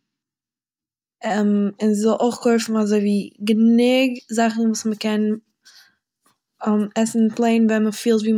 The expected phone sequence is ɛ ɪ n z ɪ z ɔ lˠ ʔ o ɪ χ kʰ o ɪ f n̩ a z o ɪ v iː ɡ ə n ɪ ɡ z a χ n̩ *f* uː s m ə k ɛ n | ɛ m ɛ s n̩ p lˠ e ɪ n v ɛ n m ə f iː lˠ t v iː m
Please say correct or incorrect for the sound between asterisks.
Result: incorrect: v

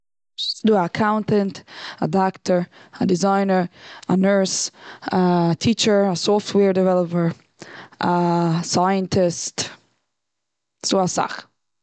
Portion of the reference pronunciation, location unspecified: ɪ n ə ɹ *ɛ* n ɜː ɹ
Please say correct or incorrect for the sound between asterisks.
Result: incorrect: a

